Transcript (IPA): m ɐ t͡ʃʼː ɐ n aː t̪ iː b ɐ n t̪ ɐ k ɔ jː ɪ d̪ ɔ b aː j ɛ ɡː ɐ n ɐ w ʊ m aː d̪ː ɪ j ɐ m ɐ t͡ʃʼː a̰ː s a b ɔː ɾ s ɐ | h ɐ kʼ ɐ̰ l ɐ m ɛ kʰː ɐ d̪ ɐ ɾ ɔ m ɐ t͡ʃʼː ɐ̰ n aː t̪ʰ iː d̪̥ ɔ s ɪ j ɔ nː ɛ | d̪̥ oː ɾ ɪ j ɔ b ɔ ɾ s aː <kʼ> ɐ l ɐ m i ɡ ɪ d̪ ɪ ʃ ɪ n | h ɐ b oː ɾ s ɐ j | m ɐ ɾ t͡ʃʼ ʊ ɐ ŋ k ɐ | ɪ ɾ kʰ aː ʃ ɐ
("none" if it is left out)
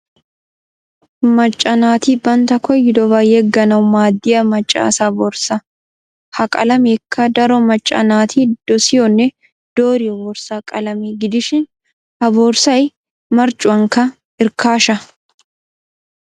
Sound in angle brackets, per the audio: kʼ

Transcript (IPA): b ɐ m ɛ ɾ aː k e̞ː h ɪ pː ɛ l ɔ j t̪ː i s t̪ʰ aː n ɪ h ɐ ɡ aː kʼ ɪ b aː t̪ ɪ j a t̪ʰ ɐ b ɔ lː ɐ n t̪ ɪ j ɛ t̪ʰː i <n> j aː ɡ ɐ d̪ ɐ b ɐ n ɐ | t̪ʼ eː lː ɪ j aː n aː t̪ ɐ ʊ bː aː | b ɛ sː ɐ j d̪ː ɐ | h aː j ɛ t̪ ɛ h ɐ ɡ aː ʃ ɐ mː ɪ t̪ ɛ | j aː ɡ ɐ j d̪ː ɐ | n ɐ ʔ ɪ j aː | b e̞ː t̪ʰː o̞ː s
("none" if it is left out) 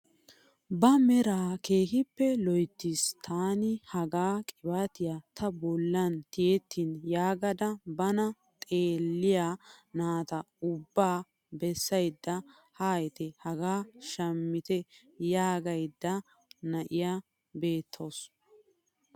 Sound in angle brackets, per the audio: n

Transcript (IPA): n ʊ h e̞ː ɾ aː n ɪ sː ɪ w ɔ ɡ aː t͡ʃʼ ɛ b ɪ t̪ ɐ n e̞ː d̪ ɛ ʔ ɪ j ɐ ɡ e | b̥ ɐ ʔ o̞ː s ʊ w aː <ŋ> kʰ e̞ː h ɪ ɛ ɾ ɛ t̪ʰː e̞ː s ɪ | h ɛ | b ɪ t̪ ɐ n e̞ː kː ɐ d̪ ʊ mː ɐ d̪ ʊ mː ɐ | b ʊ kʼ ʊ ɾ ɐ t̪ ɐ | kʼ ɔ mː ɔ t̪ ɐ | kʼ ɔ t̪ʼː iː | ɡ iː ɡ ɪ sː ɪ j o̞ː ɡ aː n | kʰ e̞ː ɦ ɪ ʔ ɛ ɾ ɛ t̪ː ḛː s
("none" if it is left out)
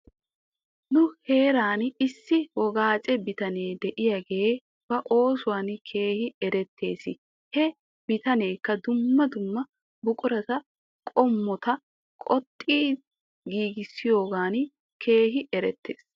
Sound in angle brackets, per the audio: n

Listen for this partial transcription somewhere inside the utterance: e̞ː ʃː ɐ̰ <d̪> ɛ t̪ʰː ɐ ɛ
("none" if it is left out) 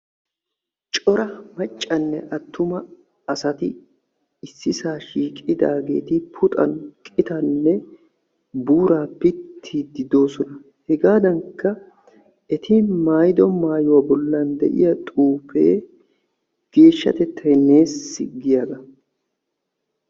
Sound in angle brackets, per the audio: t̪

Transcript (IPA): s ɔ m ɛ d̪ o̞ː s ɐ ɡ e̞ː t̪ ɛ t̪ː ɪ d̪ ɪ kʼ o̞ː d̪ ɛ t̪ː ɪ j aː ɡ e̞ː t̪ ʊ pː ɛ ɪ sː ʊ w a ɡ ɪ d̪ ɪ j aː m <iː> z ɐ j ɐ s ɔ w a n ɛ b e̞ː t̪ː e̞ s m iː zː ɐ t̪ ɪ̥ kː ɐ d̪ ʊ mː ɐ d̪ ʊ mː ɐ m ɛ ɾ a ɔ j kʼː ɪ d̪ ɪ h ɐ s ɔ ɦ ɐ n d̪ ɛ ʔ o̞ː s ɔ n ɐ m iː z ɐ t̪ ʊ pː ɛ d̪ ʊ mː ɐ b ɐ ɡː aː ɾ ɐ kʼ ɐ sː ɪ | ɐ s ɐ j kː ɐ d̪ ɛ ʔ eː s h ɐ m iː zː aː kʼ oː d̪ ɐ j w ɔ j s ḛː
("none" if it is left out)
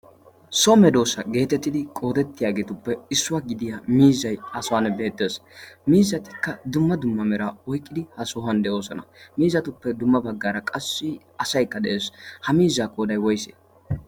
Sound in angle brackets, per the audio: iː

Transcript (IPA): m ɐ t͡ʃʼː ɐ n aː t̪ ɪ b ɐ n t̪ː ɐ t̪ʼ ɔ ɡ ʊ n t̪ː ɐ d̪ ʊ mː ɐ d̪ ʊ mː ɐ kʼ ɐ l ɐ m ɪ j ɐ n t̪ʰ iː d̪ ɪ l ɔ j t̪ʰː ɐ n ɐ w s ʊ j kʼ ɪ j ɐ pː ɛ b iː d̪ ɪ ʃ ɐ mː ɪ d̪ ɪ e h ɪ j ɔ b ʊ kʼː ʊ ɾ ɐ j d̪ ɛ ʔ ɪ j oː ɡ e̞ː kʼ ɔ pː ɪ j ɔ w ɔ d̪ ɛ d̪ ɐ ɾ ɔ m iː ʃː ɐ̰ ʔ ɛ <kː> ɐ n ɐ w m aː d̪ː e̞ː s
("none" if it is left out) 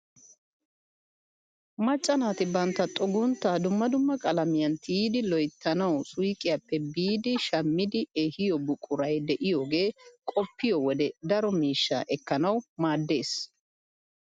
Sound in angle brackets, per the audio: kː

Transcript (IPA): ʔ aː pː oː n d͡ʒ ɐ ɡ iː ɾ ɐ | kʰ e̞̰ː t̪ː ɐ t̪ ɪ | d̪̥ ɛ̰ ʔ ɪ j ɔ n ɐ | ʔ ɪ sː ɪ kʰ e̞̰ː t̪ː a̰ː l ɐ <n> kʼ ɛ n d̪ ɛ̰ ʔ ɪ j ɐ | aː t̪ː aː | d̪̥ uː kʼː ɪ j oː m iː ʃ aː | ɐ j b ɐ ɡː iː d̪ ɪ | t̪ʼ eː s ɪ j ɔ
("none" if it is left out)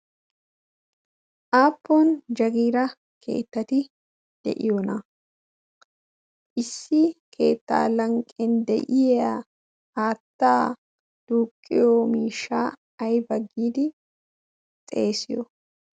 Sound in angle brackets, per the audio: ŋ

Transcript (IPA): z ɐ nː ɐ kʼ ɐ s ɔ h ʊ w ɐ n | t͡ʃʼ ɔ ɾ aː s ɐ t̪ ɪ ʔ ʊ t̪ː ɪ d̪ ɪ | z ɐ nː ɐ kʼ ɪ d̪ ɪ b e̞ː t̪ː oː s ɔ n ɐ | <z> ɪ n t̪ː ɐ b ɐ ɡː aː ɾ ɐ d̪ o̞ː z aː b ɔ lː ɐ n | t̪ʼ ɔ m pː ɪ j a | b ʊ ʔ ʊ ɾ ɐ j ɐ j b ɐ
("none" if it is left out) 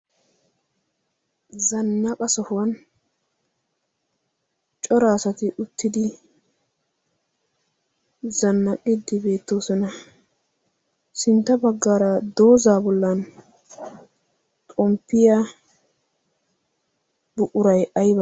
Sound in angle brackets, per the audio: s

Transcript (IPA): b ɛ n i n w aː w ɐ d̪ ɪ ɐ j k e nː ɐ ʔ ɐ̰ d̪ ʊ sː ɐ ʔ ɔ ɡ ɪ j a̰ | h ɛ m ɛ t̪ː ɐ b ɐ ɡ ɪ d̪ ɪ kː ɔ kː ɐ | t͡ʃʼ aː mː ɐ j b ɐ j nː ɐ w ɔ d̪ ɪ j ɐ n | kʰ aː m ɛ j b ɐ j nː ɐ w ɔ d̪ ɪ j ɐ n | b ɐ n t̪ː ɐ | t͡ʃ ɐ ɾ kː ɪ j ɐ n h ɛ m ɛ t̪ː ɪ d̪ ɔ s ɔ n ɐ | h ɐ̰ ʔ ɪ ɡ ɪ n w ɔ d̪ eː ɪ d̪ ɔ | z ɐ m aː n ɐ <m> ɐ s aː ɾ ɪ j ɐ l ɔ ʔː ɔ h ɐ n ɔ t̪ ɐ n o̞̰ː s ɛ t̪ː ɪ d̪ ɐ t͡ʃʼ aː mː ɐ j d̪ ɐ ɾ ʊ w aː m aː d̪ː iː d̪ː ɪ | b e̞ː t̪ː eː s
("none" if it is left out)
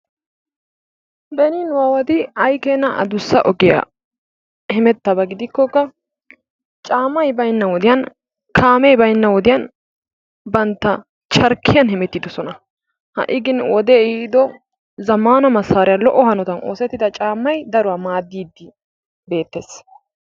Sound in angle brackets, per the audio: m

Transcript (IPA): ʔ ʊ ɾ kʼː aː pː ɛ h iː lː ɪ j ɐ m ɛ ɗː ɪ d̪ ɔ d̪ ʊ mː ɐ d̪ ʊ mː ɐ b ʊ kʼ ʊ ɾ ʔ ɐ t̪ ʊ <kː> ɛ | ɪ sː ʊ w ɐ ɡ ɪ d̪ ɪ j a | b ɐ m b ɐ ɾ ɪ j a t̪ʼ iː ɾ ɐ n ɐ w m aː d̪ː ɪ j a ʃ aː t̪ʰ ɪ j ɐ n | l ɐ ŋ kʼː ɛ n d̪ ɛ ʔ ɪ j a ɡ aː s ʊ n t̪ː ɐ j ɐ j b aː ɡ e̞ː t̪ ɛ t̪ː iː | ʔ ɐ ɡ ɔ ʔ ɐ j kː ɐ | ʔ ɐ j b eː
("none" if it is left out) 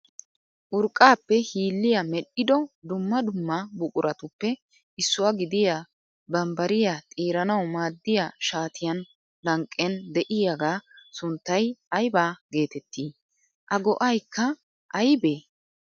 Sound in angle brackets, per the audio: pː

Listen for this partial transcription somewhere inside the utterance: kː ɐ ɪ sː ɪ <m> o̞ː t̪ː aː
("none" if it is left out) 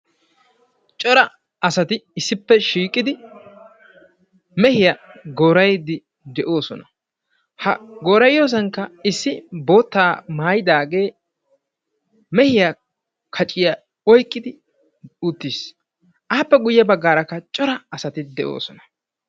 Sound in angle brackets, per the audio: b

